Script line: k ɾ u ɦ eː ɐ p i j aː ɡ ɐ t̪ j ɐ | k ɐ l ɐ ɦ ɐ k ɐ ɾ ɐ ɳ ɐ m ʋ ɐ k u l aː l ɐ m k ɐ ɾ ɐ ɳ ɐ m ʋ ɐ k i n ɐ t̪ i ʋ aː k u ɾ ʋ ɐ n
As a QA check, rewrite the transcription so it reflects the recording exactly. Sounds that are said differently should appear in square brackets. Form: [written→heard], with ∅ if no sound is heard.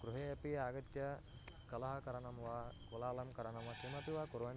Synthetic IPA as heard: k ɾ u ɦ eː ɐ p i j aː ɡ ɐ t̪ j ɐ | k ɐ l ɐ ɦ ɐ k ɐ ɾ ɐ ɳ ɐ m ʋ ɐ k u l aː l ɐ m k ɐ ɾ ɐ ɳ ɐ m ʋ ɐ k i [n→m] ɐ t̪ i ʋ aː k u ɾ ʋ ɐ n